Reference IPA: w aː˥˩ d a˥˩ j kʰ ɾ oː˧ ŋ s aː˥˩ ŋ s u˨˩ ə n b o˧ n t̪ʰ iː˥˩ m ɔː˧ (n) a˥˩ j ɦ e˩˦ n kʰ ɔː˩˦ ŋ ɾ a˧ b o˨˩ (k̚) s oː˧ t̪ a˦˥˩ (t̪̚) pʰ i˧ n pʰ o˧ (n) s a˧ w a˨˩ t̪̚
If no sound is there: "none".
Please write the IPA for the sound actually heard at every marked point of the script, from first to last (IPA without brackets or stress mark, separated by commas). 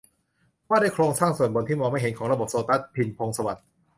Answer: m, p̚, t̪̚, ŋ